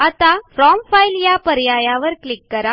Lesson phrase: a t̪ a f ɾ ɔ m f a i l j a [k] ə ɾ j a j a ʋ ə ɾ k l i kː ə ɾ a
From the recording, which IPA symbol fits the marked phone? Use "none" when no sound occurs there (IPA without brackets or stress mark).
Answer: p